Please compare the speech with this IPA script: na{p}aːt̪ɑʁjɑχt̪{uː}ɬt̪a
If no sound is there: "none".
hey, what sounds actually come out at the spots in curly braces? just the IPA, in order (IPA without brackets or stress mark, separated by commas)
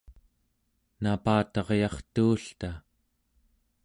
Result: p, uː